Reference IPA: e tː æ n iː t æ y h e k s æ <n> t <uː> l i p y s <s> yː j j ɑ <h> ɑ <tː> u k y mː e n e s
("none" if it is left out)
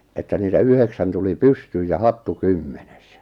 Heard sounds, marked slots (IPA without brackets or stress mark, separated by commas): n, u, t, h, tː